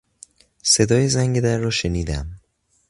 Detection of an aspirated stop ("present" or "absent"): absent